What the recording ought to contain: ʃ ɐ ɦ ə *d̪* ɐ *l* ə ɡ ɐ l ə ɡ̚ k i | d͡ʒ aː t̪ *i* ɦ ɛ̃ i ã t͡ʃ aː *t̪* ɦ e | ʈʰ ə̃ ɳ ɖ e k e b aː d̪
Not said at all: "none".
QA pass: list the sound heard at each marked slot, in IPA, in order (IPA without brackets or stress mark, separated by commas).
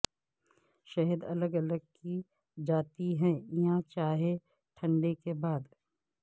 d̪, l, i, none